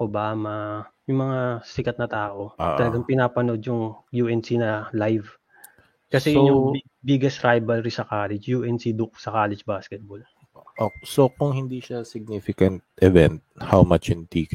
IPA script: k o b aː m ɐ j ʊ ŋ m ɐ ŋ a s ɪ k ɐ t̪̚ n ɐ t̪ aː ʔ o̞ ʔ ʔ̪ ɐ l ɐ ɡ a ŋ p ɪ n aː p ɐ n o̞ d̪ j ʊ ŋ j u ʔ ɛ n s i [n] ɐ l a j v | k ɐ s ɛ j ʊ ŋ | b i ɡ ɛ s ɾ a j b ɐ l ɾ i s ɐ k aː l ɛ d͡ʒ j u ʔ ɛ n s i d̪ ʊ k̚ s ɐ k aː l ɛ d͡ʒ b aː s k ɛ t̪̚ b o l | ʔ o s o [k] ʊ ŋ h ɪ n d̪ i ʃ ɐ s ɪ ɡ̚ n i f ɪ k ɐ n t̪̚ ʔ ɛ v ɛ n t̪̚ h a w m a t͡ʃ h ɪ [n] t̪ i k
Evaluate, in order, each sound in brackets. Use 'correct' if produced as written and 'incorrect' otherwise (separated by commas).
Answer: correct, correct, correct